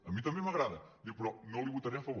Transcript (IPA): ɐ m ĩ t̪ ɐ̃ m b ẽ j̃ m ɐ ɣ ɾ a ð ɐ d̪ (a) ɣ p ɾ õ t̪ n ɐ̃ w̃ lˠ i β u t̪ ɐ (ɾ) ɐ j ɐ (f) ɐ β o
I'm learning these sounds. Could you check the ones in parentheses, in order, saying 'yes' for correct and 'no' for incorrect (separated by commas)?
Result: no, yes, yes